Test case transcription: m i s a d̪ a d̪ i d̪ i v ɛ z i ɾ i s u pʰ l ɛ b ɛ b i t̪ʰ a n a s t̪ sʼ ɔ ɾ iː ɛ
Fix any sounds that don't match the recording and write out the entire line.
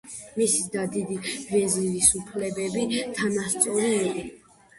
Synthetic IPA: m i s i d̪ a d̪ i d̪ i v ɛ z i ɾ i s u pʰ l ɛ b ɛ b i t̪ʰ a n a s t̪ sʼ ɔ ɾ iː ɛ